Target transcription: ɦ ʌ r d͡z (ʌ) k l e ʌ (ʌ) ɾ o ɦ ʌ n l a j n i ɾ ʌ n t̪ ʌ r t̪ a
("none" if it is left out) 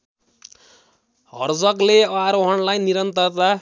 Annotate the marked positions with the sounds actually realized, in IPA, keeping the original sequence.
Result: ʌ, a

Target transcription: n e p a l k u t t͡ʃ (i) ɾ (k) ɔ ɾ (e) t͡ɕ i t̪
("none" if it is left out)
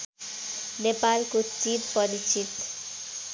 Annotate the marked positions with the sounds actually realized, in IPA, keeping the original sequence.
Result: i, p, i

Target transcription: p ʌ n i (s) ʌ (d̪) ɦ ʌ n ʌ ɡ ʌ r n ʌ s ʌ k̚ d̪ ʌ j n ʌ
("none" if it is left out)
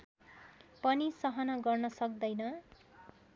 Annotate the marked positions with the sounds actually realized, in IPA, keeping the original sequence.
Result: s, none

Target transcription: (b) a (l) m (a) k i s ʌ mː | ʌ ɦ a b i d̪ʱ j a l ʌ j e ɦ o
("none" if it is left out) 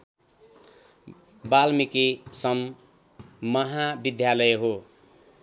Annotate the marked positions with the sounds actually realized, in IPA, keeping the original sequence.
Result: b, l, i

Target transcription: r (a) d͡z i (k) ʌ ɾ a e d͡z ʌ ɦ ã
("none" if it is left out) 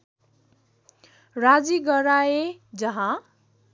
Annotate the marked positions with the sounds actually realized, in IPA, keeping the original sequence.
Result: a, ɡ

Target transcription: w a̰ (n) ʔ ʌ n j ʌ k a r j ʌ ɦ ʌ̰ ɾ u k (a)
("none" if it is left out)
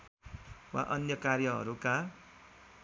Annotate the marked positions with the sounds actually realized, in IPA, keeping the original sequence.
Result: none, a

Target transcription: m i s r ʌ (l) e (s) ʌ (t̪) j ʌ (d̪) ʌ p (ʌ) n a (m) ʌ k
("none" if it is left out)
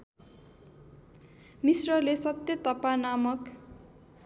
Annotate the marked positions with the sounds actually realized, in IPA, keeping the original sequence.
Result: l, s, t̪, t̪, a, m

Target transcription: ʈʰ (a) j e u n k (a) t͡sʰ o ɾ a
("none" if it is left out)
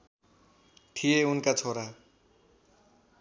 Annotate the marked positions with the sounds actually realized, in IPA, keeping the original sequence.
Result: i, a

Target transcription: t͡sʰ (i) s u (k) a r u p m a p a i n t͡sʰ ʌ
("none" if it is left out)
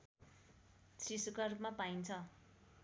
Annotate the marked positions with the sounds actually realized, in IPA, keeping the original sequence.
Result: i, k

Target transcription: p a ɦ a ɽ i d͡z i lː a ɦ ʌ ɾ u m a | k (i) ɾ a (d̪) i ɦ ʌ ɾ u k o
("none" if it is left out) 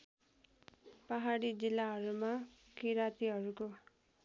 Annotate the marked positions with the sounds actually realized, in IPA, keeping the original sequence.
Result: i, t̪

